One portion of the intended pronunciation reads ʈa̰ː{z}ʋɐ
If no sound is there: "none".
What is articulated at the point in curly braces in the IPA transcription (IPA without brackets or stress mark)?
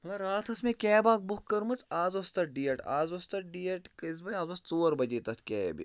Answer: z